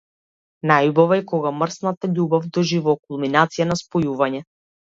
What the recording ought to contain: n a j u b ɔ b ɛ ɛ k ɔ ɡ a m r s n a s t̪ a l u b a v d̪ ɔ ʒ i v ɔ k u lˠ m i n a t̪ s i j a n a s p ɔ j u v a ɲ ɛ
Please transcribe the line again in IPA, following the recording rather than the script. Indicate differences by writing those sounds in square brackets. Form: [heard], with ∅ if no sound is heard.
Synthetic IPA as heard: n a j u b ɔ [v] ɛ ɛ k ɔ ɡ a m r s n a [∅] t̪ a [ʎ] u b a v d̪ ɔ ʒ i v ɔ k u lˠ m i n a t̪ s i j a n a s p ɔ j u v a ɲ ɛ